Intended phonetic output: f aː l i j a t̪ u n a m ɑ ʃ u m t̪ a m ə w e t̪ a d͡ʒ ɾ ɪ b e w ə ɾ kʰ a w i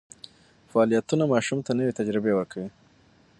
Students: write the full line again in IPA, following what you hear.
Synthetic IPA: f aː l i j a t̪ u n a m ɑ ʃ u m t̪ a n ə w e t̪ a d͡ʒ ɾ ɪ b e w ə ɾ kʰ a w i